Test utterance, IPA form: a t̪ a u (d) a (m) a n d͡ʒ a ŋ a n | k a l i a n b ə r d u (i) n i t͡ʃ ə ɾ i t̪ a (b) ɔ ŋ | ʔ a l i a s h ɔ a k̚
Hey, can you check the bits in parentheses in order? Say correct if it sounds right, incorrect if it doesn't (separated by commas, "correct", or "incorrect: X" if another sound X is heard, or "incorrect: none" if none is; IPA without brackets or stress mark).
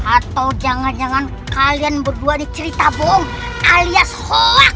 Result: incorrect: d͡ʒ, incorrect: ŋ, incorrect: a, correct